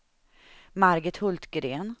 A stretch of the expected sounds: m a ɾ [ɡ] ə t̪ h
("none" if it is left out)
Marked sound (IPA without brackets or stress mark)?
ɡ